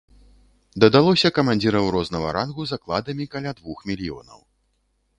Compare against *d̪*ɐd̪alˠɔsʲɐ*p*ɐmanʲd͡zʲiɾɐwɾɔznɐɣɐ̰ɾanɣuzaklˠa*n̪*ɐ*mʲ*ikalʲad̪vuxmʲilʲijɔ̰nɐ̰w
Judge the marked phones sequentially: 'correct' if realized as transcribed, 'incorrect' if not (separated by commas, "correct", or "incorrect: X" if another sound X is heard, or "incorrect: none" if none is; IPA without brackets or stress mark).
correct, incorrect: k, incorrect: d̪, correct